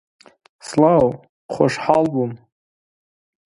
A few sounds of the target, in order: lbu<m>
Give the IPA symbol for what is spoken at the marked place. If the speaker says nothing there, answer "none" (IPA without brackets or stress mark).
m